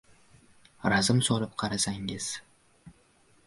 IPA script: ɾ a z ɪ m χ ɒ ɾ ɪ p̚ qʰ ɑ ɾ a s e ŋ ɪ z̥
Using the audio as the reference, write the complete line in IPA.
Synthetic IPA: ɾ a z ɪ m s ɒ l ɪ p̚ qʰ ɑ ɾ a s a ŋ ɪ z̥